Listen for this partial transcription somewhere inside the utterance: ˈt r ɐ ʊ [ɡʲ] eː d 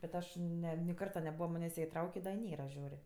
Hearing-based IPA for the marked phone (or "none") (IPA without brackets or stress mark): kʲ